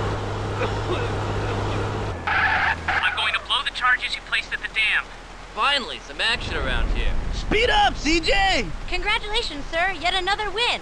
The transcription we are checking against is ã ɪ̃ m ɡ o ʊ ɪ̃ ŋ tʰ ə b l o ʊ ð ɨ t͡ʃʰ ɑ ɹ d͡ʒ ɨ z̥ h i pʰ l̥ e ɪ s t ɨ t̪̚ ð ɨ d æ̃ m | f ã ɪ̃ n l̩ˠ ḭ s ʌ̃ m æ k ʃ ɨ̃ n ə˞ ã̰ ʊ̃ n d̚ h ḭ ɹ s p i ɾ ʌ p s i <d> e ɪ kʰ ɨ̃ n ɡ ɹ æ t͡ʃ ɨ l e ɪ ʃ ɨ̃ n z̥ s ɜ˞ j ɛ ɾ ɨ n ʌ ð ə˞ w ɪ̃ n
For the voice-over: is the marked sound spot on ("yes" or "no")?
no